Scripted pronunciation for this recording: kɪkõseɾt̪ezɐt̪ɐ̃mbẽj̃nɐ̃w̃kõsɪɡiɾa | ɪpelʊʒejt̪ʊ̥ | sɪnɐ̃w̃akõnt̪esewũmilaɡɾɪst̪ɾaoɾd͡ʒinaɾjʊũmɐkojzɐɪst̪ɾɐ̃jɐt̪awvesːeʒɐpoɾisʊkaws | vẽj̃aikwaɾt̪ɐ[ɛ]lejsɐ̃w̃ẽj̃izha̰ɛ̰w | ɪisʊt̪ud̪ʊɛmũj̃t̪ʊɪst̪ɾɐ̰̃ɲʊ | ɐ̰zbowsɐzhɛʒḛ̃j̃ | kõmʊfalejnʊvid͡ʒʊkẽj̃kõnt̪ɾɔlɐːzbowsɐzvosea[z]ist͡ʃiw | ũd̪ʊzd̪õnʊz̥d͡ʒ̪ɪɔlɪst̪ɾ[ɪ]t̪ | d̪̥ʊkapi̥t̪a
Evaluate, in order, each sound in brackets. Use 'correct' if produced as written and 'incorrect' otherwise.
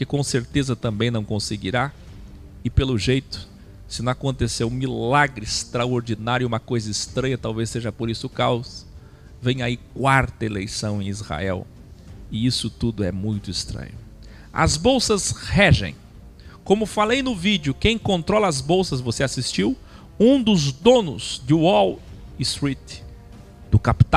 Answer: incorrect: e, incorrect: s, incorrect: i

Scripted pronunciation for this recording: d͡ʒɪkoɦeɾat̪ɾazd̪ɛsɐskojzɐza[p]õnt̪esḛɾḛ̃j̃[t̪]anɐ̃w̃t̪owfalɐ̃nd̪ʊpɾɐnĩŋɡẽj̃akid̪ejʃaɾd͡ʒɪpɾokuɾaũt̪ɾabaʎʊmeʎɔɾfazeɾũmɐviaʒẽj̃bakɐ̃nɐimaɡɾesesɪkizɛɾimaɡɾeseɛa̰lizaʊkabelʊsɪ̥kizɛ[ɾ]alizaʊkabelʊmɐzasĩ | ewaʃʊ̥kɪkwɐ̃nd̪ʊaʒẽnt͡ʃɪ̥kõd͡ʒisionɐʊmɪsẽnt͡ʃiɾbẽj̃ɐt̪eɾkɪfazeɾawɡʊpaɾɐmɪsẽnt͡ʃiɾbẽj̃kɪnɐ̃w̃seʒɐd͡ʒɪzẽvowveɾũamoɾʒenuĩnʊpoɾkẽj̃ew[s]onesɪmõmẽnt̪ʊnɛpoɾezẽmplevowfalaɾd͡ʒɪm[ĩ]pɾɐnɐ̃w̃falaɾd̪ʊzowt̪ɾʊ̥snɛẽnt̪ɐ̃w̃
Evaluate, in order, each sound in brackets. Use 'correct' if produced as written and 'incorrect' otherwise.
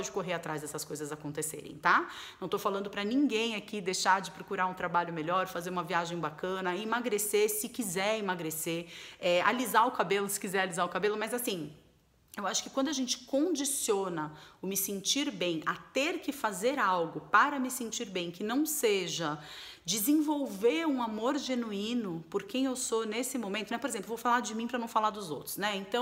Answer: incorrect: k, correct, correct, correct, correct

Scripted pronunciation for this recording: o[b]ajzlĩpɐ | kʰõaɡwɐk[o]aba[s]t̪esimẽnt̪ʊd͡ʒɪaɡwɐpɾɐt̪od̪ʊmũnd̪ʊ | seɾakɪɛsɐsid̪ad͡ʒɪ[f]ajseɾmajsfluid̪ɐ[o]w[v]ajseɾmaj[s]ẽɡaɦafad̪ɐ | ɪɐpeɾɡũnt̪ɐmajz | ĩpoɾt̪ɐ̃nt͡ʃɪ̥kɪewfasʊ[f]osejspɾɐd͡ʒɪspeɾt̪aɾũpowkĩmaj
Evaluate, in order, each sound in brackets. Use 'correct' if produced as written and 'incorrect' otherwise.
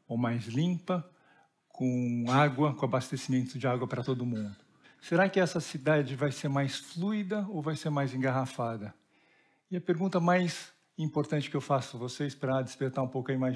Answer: incorrect: m, incorrect: õ, correct, incorrect: v, correct, correct, incorrect: z, incorrect: v

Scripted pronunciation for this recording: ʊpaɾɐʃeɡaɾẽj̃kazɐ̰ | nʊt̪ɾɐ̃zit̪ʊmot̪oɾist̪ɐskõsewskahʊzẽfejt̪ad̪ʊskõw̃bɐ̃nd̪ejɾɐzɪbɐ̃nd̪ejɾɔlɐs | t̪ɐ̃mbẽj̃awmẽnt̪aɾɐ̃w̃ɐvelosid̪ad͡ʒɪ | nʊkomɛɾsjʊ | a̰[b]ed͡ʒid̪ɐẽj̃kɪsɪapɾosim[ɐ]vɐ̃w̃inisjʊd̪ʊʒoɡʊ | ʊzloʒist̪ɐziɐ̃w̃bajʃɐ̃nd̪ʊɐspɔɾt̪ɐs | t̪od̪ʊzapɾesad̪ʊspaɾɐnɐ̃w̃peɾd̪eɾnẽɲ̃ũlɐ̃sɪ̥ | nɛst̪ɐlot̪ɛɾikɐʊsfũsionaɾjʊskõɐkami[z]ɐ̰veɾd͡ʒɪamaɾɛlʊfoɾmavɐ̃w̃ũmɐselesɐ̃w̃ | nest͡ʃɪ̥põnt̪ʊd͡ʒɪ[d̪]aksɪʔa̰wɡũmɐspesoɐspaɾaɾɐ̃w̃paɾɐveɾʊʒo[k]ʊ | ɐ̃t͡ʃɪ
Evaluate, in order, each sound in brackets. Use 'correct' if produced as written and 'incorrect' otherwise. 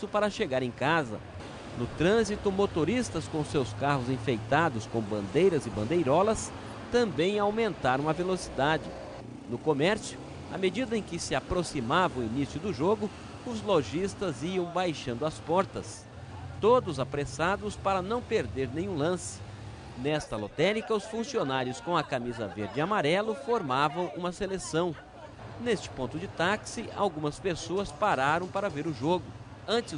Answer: incorrect: m, incorrect: a, correct, incorrect: t̪, incorrect: ɡ

